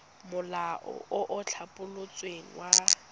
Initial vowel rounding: rounded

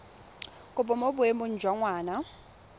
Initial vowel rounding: rounded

